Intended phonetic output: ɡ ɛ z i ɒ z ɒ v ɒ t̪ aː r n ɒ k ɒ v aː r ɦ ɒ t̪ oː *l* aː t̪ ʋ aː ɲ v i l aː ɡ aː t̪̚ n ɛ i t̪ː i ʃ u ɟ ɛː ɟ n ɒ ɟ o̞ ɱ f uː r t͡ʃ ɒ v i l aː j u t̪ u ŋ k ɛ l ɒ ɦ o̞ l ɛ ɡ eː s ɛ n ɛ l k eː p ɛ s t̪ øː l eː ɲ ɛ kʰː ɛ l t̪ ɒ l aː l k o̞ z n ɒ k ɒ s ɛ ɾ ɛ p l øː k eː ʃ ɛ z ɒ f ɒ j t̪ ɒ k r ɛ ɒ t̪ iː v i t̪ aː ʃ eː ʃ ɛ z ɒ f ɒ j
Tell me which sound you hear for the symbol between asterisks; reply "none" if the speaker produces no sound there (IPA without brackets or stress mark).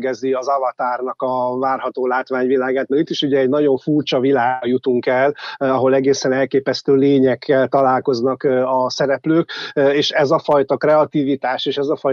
l